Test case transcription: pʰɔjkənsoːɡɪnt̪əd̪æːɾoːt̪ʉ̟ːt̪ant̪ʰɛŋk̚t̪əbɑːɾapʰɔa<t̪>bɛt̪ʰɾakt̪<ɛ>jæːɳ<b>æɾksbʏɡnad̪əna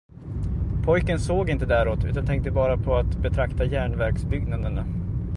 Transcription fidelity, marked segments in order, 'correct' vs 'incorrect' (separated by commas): correct, incorrect, incorrect